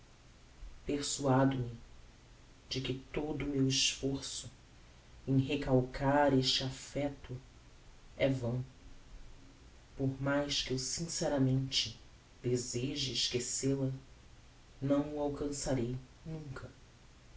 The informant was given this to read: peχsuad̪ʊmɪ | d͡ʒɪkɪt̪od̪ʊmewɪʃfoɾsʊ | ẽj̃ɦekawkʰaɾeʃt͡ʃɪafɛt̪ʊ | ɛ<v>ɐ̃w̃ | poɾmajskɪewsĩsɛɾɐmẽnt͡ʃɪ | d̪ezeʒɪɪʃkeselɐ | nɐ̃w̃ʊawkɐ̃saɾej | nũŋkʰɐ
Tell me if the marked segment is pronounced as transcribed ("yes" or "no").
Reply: yes